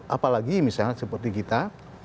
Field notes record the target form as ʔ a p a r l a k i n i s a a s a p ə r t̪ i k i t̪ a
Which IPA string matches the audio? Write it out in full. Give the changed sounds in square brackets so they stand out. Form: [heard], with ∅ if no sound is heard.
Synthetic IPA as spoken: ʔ a p a [∅] l a [ɡ] i [m] i s a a s [ə] p ə r t̪ i k i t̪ a